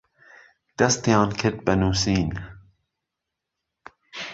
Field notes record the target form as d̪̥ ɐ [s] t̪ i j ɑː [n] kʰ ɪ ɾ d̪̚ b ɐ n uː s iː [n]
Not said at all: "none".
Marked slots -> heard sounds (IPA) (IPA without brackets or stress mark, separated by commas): s, n, n